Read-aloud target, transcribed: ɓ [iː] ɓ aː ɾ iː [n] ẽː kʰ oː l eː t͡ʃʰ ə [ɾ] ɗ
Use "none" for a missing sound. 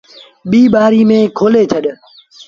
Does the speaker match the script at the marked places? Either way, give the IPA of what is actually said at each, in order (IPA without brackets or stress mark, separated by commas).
iː, m, none